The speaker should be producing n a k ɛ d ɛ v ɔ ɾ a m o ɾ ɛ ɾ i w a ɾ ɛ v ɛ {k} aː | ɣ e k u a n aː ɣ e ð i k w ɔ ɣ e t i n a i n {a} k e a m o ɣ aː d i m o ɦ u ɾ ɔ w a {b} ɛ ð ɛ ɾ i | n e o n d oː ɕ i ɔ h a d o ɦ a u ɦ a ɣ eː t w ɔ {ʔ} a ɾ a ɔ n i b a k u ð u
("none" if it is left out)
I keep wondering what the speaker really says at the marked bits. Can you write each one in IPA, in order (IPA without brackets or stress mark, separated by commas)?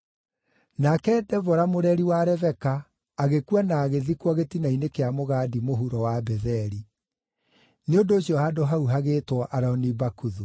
k, e, b, ʔ